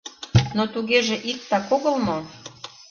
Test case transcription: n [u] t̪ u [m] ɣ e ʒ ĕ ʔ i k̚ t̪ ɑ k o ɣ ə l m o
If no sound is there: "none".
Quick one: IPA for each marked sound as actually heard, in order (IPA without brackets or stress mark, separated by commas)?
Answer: o, none